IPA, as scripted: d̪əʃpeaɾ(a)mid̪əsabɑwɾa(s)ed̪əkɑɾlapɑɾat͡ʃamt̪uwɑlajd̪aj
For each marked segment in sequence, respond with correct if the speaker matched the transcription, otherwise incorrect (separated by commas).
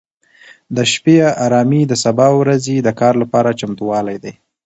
incorrect, incorrect